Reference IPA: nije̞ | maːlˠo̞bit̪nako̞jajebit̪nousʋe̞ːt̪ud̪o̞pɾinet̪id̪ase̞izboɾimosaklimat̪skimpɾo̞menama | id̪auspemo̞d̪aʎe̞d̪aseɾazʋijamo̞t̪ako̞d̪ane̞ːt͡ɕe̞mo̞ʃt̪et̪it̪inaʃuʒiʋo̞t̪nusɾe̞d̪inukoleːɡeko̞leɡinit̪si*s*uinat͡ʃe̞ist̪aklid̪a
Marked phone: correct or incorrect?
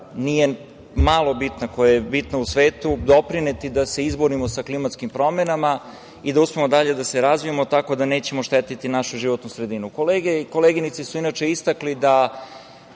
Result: correct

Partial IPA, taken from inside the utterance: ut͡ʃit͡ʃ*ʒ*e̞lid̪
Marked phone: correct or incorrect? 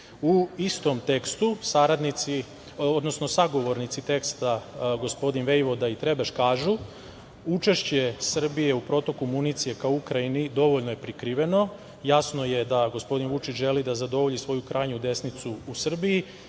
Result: correct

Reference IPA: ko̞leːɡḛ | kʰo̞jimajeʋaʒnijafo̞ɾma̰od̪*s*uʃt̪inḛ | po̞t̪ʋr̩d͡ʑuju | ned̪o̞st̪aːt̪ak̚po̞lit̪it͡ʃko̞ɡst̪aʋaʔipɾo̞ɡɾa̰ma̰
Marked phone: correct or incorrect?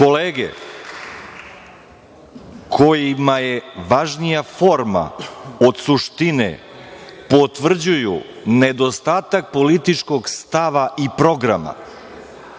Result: correct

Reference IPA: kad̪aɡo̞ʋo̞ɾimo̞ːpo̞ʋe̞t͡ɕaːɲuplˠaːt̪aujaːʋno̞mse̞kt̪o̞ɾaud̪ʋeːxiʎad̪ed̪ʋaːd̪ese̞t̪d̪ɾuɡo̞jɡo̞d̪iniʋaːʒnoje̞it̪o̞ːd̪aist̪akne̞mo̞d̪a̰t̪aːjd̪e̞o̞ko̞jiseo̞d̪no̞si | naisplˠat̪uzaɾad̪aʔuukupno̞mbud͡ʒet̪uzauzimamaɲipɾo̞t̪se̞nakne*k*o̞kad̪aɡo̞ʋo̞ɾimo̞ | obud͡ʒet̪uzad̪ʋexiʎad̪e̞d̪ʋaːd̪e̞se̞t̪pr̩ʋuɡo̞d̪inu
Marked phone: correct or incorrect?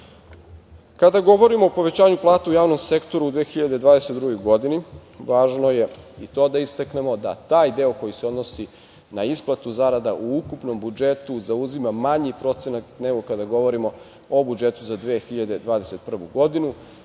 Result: incorrect: ɡ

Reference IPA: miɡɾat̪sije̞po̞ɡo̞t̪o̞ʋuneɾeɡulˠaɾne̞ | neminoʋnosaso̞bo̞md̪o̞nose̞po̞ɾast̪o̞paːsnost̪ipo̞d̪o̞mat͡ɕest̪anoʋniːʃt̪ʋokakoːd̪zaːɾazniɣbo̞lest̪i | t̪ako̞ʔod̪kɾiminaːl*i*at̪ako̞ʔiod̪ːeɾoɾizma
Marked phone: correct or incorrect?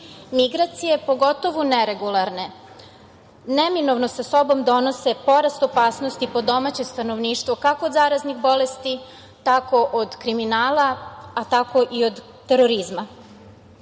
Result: incorrect: a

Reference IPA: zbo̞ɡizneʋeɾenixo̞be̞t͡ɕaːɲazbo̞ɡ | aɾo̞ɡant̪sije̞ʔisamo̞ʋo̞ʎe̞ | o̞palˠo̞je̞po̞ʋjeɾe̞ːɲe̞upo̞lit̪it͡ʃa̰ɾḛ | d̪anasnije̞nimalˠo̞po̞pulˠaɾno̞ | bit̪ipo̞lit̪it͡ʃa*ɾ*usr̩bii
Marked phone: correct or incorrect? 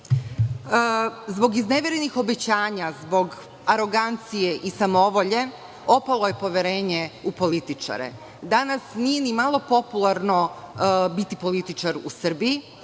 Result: correct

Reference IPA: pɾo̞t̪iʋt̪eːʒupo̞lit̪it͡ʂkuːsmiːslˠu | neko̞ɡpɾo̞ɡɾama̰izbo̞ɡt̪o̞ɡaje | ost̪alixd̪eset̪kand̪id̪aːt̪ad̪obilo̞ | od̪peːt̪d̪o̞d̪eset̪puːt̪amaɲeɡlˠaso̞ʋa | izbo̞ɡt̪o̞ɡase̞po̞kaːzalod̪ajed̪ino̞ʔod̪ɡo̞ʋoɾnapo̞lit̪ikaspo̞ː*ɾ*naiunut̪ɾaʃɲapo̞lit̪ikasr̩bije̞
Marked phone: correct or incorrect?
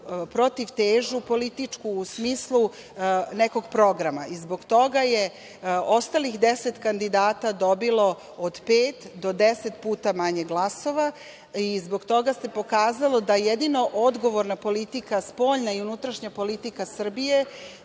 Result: incorrect: ʎ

